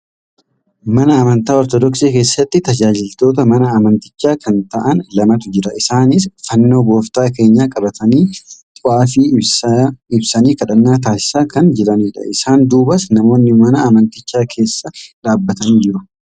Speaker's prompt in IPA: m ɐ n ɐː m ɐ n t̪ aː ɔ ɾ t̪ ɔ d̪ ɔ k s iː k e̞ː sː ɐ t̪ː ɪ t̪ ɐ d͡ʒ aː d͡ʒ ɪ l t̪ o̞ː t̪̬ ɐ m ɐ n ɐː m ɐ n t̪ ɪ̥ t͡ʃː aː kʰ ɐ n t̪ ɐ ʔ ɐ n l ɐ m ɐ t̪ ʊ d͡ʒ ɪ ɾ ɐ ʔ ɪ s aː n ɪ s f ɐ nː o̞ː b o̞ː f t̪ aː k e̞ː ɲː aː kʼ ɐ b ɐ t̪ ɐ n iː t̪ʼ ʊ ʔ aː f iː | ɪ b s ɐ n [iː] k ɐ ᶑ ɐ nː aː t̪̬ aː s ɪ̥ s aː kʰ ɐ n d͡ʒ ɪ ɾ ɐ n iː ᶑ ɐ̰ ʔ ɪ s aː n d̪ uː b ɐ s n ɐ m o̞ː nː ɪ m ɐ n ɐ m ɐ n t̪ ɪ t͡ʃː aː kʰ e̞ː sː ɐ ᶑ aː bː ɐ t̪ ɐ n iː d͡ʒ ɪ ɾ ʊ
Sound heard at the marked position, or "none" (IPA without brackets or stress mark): iː